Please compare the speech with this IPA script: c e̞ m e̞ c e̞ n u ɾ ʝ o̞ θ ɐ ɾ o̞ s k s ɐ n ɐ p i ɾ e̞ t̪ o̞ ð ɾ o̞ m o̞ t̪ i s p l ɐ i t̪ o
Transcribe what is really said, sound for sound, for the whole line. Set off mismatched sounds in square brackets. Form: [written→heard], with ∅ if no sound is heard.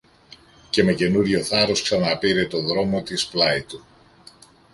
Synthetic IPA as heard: c e̞ m e̞ c e̞ n u ɾ ʝ o̞ θ ɐ ɾ o̞ s k s ɐ n ɐ p i ɾ e̞ t̪ o̞ ð ɾ o̞ m o̞ t̪ i s p l ɐ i t̪ [o→u]